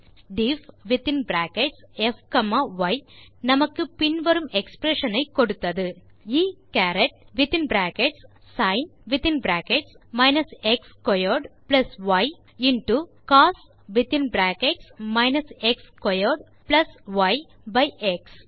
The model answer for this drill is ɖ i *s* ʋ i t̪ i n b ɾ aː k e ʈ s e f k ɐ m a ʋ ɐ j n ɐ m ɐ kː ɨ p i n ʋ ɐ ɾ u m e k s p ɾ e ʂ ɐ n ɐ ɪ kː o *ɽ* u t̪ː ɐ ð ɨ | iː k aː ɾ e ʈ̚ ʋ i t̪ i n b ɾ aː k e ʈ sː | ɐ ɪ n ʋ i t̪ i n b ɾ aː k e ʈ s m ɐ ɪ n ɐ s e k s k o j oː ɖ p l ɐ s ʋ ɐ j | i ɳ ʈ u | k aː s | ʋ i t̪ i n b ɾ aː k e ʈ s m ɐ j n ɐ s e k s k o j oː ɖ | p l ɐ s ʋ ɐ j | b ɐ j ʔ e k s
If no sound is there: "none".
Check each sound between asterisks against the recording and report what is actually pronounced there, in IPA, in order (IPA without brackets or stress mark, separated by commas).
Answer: f, ɽ